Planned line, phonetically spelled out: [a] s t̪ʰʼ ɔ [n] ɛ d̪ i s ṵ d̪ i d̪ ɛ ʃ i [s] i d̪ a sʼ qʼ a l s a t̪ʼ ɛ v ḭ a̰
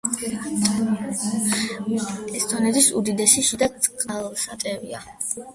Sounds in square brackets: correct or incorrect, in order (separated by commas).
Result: incorrect, correct, incorrect